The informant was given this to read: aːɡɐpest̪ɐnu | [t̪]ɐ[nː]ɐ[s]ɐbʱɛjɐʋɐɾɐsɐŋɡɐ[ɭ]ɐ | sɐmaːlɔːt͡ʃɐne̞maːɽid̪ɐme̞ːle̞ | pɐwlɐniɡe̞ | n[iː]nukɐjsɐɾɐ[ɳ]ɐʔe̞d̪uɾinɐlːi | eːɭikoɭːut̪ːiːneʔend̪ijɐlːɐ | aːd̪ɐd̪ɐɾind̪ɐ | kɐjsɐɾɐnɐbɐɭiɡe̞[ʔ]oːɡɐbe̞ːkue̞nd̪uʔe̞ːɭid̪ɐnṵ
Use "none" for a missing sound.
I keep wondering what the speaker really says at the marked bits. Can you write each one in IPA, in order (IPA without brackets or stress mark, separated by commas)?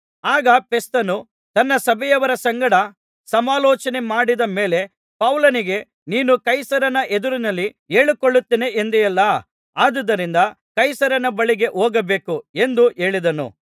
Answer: t̪, nː, s, ɽ, iː, n, ʔ